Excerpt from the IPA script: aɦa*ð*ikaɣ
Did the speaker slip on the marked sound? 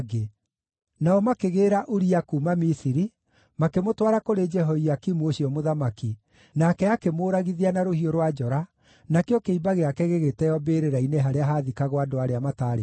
no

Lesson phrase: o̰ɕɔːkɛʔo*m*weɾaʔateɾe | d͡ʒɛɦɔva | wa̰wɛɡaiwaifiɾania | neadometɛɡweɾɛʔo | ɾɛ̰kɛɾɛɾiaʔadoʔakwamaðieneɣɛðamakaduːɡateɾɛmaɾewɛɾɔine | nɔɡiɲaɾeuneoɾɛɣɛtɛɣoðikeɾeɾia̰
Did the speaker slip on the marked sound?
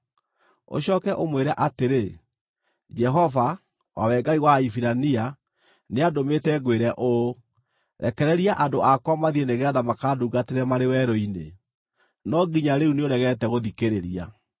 no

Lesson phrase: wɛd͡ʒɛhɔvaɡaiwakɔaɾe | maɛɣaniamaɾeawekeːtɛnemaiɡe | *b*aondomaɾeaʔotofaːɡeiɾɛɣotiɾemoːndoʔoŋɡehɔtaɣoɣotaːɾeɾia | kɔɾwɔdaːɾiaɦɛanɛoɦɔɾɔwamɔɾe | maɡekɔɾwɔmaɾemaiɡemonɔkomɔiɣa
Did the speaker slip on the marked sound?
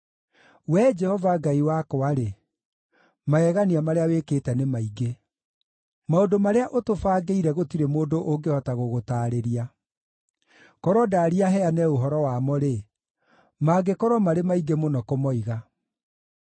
yes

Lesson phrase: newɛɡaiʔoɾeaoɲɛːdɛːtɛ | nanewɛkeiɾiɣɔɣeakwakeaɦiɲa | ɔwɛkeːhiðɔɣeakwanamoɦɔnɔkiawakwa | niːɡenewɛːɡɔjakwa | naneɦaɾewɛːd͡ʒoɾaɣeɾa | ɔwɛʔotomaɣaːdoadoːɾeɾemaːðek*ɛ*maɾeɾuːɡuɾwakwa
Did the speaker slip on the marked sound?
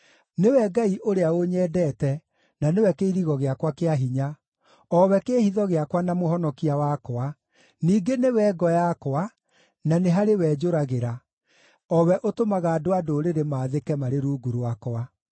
no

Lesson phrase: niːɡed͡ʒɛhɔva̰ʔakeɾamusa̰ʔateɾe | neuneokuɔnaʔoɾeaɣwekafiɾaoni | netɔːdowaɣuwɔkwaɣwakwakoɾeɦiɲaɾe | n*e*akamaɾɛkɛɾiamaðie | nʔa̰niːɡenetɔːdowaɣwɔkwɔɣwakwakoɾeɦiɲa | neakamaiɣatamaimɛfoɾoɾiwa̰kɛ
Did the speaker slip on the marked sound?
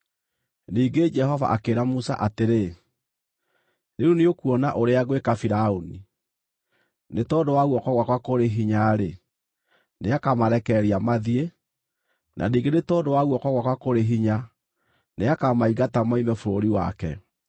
no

